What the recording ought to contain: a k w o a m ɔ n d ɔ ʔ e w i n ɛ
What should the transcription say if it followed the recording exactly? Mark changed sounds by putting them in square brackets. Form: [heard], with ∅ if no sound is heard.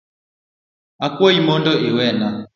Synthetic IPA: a k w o [i] m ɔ n d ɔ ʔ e w [ɛ] n [a]